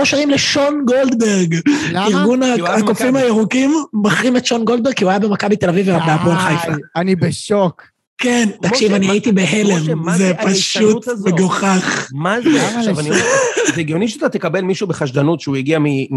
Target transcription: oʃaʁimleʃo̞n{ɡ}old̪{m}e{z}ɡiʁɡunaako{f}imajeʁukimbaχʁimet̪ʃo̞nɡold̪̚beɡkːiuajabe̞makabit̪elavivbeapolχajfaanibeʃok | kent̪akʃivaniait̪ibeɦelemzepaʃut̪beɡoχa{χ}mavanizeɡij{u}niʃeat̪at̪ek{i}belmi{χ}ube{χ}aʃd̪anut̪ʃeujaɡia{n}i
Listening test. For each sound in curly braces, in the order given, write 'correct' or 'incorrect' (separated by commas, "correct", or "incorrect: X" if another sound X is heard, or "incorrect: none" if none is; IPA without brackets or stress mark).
correct, incorrect: b, incorrect: ʁ, correct, correct, incorrect: o, incorrect: a, incorrect: ʃ, correct, incorrect: m